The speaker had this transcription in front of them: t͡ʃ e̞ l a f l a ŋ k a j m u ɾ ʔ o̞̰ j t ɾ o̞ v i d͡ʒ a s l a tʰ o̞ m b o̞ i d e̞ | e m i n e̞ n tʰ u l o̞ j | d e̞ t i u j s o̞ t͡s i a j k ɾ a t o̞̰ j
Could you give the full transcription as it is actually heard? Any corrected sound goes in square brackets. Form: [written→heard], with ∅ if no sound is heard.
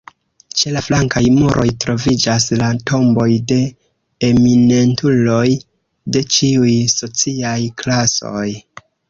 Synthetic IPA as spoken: t͡ʃ e̞ l a f l a ŋ k a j m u ɾ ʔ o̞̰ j t ɾ o̞ v i d͡ʒ a s l a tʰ o̞ m b o̞ [i→j] d e̞ | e m i n e̞ n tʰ u l o̞ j | d e̞ [t→t͡ʃ] i u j s o̞ t͡s i a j k [ɾ→l] a [t→s] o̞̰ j